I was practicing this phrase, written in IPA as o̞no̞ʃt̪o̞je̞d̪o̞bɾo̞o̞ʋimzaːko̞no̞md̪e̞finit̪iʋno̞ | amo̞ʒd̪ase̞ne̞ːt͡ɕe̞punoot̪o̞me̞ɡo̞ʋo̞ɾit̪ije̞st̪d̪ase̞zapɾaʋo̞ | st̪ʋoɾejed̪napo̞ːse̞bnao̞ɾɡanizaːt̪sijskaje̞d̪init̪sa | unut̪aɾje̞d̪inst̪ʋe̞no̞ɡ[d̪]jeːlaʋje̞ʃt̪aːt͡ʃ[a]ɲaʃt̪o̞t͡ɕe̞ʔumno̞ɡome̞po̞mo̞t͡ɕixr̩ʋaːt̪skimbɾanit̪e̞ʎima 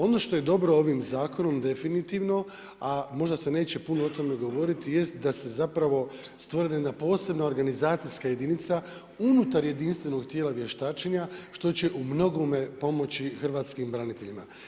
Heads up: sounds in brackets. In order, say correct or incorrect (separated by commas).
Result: incorrect, incorrect